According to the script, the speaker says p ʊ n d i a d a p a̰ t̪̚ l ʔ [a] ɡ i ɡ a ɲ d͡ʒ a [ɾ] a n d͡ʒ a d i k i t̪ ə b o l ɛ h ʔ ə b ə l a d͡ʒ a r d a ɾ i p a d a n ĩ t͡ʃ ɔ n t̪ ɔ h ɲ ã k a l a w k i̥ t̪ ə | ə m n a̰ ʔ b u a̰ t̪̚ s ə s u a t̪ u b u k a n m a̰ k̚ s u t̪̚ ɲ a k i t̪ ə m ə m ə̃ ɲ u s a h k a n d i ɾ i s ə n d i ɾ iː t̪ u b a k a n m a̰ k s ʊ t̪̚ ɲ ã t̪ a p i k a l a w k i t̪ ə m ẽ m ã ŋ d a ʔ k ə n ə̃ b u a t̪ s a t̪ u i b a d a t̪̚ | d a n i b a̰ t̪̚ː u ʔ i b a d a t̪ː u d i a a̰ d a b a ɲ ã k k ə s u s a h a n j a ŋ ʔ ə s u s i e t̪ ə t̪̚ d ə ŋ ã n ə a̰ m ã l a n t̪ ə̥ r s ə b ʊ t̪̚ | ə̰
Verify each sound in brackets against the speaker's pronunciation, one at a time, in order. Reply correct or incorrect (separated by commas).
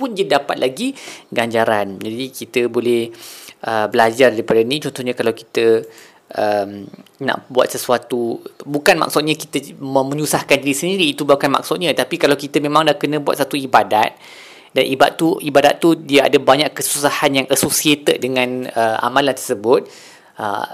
correct, correct